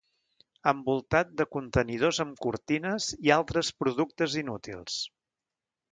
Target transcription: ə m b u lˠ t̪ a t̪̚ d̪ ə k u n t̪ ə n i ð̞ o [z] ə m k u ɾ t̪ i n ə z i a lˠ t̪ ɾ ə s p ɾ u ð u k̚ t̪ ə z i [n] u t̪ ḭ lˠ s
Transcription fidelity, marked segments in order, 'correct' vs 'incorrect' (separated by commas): correct, correct